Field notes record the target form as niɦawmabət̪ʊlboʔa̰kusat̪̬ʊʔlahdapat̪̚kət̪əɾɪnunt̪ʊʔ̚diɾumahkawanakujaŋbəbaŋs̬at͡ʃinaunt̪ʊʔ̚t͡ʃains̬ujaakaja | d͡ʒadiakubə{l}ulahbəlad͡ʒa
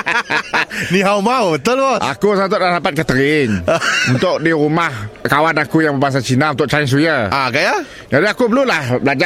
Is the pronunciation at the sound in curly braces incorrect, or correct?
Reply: correct